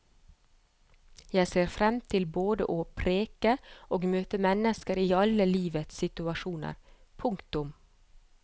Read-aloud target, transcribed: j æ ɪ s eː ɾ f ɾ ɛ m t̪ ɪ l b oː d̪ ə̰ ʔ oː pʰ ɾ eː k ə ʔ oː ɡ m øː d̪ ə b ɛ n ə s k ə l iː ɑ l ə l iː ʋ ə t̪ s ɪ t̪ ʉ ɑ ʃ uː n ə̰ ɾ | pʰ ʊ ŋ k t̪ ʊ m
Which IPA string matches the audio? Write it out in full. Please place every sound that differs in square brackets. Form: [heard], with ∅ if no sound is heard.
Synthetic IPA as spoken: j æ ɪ s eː ɾ f ɾ ɛ m [t̪ʰ] ɪ l b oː d̪ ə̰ ʔ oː pʰ ɾ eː k ə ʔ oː ɡ m øː [t̪] ə [m] ɛ n ə s k ə [ɾ] iː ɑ l ə l iː ʋ ə t̪ s ɪ t̪ ʉ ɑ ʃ uː n ə̰ ɾ | pʰ ʊ ŋ k t̪ ʊ m